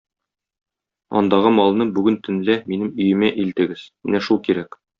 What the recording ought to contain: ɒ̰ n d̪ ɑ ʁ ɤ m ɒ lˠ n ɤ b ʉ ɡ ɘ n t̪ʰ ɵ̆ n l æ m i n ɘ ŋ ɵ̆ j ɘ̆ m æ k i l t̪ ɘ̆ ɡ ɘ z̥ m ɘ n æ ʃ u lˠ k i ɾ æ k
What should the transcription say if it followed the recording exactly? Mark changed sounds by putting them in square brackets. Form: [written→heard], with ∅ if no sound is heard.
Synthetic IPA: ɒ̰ n d̪ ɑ ʁ ɤ m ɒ lˠ n ɤ b ʉ ɡ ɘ n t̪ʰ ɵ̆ n l æ m i n ɘ [ŋ→m] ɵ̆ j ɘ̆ m æ [k→ʔ] i l t̪ ɘ̆ ɡ ɘ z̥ m ɘ n æ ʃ u lˠ k i ɾ æ k